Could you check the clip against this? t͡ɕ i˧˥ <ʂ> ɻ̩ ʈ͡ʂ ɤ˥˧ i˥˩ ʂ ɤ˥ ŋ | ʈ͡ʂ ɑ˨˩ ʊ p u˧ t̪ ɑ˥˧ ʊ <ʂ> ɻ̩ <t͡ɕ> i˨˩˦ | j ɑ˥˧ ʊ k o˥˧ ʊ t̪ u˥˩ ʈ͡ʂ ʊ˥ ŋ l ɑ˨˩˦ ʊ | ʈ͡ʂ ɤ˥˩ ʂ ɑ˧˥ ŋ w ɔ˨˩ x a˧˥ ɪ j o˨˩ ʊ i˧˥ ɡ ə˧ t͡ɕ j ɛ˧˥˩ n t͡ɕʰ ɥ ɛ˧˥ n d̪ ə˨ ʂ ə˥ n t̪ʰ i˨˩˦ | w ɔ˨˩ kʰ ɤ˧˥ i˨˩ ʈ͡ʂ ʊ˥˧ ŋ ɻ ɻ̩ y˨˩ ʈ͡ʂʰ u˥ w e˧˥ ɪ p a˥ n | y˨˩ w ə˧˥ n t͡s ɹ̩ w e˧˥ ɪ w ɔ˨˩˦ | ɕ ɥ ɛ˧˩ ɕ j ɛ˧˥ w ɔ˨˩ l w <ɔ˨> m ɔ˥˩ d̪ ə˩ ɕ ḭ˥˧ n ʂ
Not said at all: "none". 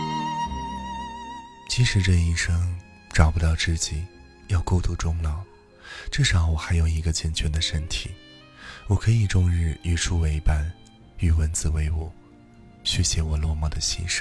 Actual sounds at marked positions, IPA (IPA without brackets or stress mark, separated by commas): ʂ, ʈ͡ʂ, t͡ɕ, ɔ˥˧